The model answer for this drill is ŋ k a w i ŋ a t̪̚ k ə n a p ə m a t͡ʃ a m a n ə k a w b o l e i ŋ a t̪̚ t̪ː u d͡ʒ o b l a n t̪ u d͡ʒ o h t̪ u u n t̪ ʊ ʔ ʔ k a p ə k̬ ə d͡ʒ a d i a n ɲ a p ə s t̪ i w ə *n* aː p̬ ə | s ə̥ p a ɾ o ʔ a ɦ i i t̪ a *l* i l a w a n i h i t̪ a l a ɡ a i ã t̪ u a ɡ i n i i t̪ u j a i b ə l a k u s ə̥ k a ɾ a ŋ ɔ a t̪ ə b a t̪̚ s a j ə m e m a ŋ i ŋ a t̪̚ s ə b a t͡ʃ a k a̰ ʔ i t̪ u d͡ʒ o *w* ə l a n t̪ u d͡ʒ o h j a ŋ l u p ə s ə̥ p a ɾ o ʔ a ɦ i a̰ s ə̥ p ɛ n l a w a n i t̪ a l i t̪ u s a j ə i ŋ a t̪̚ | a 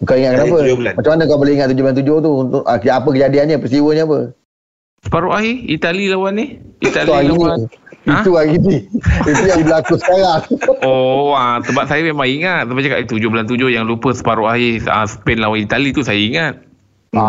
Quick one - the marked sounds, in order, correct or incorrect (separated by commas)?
incorrect, correct, incorrect